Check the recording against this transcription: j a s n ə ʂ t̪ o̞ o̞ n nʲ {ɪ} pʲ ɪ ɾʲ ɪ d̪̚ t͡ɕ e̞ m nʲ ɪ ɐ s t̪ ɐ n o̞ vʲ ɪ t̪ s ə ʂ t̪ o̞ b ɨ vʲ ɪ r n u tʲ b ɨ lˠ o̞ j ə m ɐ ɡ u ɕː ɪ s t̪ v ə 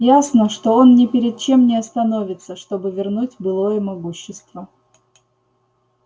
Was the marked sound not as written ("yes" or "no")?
no